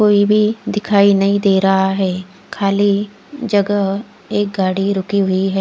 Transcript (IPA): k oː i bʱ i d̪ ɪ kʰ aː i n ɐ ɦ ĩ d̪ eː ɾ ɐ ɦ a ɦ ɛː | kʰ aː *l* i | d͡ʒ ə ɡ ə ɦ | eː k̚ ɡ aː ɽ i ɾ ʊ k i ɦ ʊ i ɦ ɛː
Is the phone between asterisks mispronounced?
no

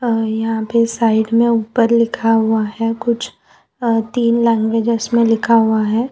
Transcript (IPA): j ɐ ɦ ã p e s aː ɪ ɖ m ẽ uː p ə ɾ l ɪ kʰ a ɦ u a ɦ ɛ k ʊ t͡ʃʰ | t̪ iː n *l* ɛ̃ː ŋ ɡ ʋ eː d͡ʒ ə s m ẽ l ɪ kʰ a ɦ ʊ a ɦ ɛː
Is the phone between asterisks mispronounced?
no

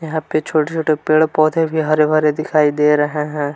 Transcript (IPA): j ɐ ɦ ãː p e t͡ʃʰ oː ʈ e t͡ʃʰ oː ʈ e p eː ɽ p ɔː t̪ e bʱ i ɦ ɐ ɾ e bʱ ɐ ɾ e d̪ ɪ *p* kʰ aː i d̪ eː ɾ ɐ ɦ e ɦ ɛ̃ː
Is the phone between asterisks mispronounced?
yes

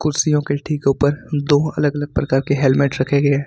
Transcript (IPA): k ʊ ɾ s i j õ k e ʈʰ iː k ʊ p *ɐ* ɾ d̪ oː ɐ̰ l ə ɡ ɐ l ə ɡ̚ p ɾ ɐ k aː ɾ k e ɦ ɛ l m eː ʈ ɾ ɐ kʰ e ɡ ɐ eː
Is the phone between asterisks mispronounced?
yes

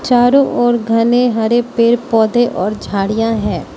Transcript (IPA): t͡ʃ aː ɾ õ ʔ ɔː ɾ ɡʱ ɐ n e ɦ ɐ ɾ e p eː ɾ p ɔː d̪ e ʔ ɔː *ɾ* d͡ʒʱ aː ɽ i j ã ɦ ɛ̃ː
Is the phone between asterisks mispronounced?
no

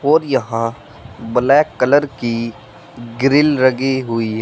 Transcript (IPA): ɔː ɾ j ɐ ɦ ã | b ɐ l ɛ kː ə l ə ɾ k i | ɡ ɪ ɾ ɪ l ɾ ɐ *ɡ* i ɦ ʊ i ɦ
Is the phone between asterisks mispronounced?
no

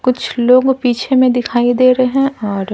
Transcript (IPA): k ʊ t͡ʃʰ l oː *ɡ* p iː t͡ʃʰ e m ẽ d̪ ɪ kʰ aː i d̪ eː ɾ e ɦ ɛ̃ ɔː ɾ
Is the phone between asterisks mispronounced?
no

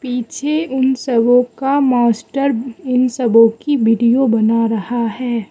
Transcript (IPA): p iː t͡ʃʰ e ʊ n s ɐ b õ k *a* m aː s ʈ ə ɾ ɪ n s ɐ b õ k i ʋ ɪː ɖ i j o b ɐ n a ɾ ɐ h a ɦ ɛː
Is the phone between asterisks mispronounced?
no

